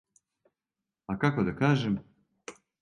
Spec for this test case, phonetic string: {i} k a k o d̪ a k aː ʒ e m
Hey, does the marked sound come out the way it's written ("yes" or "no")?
no